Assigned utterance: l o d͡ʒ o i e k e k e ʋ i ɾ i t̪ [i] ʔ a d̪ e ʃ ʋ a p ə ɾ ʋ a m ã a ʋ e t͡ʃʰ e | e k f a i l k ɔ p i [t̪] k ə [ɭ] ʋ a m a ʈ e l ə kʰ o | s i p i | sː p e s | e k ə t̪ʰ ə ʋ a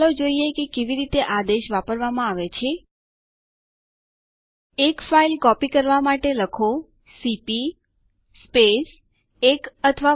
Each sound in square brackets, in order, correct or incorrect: incorrect, incorrect, incorrect

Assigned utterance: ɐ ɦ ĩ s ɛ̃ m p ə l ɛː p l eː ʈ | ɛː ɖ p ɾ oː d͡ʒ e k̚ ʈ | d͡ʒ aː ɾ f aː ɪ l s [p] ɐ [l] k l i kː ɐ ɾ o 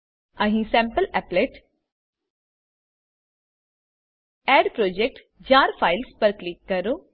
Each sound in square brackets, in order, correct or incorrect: correct, incorrect

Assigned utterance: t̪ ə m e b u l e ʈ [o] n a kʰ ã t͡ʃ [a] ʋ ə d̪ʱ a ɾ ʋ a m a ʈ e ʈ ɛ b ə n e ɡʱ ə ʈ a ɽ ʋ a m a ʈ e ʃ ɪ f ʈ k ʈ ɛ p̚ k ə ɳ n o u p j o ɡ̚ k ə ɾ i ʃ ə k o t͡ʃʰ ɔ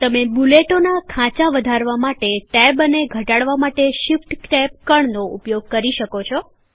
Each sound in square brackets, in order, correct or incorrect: correct, correct

